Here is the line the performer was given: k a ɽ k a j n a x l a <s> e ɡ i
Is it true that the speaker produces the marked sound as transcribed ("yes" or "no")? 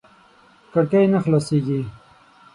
yes